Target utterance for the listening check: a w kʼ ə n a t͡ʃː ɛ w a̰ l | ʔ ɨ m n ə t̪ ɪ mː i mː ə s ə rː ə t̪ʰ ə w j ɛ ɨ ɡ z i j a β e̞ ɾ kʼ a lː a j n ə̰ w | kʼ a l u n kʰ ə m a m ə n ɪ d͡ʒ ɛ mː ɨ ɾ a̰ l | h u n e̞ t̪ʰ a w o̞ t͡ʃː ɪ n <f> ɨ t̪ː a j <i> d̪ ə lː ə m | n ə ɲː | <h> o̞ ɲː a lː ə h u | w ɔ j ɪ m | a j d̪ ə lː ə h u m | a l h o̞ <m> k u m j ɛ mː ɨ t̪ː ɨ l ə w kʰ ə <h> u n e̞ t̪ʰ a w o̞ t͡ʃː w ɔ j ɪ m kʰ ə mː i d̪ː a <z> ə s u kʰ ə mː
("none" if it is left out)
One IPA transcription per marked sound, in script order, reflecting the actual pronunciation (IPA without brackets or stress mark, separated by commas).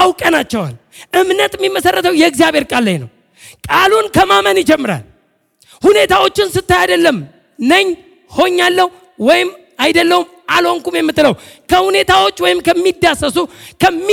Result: s, a, h, ŋ, h, s